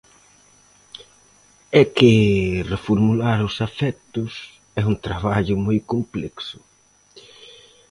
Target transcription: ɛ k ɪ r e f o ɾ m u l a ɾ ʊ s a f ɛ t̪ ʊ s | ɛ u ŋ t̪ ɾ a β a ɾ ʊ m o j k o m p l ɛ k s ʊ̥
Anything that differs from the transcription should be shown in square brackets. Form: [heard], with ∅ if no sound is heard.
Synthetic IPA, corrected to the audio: ɛ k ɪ r e f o ɾ m u l a ɾ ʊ s a f ɛ t̪ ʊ s | ɛ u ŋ t̪ ɾ a β a [ʎ] ʊ m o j k o m p l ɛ k s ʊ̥